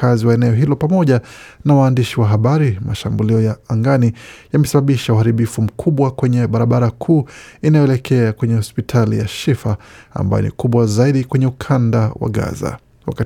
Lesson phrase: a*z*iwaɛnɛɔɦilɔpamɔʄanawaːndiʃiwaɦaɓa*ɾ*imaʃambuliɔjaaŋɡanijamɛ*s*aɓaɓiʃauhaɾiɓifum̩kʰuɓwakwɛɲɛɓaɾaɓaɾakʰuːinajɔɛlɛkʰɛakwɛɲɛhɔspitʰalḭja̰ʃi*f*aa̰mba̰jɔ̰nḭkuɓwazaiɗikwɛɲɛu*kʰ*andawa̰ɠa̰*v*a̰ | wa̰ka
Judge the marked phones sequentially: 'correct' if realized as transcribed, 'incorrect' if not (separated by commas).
correct, correct, correct, correct, correct, incorrect